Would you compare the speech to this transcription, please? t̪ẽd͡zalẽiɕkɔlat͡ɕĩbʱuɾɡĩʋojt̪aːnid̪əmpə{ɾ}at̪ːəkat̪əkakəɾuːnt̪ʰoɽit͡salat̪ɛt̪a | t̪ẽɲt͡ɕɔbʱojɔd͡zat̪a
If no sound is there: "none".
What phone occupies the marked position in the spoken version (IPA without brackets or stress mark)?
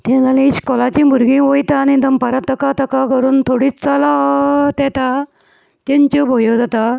ɾ